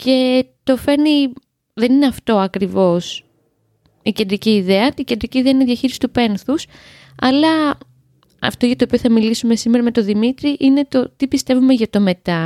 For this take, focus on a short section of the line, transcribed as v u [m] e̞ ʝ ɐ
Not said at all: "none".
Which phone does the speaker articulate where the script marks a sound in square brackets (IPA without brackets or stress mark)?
m